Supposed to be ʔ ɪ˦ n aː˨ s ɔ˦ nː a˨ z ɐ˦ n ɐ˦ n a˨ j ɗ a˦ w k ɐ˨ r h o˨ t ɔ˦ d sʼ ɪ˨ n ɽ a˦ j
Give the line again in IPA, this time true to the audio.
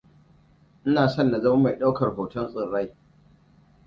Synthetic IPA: ʔ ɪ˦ n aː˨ s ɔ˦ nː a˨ z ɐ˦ m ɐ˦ m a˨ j ɗ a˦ w k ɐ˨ r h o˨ t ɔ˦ n sʼ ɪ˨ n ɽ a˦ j